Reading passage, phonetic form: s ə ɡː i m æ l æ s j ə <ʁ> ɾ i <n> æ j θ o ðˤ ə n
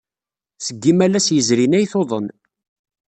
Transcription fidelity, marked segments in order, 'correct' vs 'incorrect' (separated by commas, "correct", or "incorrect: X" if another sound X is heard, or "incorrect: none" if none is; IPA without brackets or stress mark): incorrect: z, correct